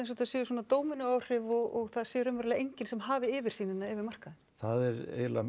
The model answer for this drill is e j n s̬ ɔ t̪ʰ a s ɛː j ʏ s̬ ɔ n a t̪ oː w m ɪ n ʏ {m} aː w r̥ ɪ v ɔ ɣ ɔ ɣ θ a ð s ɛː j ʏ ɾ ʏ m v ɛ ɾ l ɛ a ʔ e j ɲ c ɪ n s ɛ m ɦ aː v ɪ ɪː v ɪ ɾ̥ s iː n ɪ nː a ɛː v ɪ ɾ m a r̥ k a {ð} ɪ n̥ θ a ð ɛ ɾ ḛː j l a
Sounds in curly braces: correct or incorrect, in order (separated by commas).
incorrect, correct